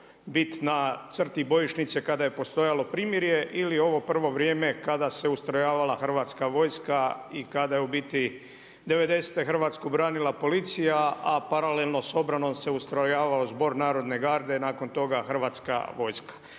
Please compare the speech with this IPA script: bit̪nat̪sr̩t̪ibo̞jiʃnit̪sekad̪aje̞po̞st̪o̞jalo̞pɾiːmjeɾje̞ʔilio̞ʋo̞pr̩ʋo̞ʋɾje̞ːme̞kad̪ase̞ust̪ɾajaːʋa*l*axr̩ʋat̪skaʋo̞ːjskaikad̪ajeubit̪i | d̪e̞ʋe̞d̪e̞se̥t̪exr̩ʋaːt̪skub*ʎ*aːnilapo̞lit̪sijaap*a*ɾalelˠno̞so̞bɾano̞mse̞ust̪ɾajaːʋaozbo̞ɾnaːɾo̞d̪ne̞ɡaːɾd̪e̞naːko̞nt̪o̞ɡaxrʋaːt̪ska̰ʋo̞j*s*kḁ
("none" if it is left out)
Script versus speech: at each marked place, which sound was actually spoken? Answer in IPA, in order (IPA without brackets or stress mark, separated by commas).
l, ɾ, a, s